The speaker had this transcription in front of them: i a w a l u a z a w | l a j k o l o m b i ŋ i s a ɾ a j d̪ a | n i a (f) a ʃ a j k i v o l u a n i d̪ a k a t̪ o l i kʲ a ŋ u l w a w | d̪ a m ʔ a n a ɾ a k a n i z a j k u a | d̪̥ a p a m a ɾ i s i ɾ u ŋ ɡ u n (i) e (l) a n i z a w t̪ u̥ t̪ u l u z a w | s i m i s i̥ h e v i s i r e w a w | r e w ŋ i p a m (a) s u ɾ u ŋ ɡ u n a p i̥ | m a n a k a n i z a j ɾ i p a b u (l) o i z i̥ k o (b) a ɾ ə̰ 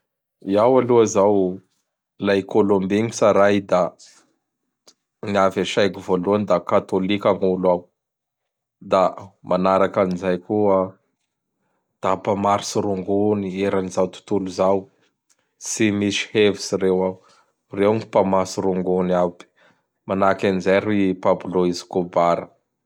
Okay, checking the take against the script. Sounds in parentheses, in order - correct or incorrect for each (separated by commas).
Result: incorrect, correct, incorrect, correct, correct, correct